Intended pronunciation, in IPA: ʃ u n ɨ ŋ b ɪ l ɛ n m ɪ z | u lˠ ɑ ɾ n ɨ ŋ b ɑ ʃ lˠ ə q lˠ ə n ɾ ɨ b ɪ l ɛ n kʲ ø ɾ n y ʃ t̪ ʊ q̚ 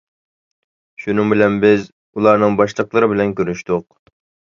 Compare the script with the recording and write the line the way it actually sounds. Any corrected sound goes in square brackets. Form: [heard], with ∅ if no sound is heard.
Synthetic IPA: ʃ u n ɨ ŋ b ɪ l ɛ n [b] ɪ z | u lˠ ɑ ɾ n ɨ ŋ b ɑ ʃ lˠ ə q lˠ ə [∅] ɾ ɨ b ɪ l ɛ n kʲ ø ɾ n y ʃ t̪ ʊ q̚